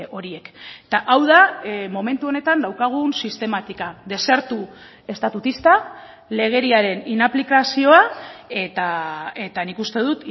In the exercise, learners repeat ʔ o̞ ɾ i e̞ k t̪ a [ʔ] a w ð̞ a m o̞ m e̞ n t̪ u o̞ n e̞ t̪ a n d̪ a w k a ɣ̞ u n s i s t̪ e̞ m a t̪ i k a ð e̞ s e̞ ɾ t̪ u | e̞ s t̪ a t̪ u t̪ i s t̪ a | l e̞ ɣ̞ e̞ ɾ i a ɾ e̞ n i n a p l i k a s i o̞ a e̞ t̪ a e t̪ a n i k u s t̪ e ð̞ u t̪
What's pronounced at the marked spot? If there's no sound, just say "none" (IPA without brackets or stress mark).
ʔ